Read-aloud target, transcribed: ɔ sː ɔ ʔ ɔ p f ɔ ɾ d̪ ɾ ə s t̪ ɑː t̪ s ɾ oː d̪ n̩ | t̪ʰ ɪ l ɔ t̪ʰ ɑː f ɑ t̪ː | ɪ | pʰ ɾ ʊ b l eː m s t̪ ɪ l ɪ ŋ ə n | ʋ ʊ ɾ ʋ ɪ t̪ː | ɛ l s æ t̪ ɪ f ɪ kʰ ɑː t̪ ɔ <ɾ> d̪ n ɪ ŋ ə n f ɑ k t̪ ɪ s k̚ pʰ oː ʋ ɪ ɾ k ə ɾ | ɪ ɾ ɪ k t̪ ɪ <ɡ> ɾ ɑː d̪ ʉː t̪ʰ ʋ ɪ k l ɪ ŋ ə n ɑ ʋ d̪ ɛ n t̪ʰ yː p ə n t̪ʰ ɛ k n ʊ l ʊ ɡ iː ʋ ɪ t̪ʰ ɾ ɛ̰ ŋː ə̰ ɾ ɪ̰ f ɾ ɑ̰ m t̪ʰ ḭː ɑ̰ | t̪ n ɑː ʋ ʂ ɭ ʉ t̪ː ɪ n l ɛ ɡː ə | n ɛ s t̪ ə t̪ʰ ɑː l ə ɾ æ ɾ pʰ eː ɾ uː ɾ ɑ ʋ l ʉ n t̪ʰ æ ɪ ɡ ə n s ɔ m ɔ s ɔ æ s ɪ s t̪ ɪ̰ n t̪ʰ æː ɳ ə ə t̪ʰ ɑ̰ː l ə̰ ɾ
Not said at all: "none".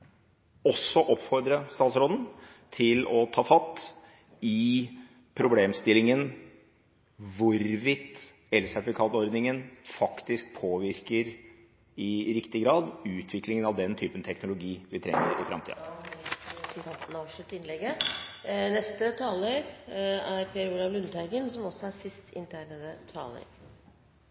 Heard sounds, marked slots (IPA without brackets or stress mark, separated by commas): ɾ, ɡ